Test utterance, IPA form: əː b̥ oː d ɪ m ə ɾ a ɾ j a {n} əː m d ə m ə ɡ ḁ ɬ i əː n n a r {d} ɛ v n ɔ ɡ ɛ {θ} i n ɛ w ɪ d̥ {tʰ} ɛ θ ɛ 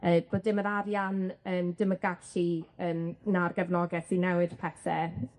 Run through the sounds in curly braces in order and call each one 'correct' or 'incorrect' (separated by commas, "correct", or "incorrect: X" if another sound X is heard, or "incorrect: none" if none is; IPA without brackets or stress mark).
correct, incorrect: ɡ, correct, incorrect: pʰ